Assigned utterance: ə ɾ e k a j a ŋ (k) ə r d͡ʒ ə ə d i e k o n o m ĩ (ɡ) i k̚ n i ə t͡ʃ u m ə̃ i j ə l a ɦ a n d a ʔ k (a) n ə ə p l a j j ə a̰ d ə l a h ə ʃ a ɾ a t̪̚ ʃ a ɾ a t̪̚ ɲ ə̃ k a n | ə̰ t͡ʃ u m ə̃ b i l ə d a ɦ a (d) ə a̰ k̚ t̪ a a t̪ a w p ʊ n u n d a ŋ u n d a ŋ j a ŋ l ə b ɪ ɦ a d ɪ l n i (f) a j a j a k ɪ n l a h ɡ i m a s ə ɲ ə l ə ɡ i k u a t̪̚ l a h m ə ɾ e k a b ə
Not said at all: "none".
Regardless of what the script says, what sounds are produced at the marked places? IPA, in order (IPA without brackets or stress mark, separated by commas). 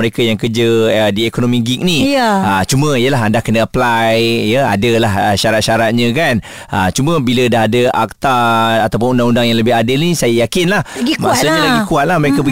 k, ɡ, ə, d, s